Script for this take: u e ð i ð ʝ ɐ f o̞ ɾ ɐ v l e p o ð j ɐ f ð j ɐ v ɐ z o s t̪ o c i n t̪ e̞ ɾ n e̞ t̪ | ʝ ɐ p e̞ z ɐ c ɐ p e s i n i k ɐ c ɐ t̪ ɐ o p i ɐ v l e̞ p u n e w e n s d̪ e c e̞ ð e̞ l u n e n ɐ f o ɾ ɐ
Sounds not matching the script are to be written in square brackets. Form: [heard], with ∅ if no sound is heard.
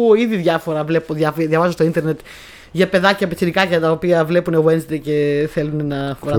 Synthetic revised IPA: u [i] ð i ð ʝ ɐ f o̞ ɾ ɐ v l e p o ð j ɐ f ð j ɐ v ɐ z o s t̪ o [∅] i n t̪ e̞ ɾ n e̞ t̪ | ʝ ɐ p e̞ [ð] ɐ c ɐ p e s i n i k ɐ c ɐ t̪ ɐ o p i ɐ v l e̞ p u n e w e n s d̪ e c e̞ [θ] e̞ l u n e n ɐ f o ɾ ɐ